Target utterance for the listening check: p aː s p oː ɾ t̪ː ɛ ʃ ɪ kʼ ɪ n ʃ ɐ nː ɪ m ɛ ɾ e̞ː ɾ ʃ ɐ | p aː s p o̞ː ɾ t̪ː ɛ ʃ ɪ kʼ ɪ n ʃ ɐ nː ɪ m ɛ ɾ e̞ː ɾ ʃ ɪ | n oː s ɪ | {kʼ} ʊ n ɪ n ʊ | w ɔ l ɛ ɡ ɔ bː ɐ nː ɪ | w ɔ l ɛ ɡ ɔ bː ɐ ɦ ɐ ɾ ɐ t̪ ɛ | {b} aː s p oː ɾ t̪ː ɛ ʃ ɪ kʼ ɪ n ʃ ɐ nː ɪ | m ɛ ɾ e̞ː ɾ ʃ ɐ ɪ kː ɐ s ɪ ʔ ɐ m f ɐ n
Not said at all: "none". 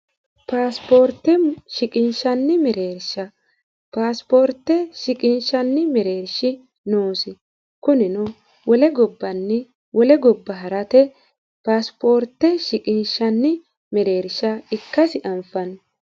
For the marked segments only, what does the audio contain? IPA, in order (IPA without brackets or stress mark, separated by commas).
k, p